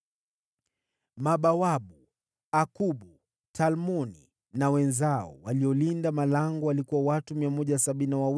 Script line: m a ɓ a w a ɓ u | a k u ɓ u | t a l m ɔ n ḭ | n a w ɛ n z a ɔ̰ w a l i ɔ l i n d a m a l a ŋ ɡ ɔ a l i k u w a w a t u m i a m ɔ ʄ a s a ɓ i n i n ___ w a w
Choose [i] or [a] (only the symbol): a